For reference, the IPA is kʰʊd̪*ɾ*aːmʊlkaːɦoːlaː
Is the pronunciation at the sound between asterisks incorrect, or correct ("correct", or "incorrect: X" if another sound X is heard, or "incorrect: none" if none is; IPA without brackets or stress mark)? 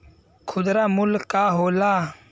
correct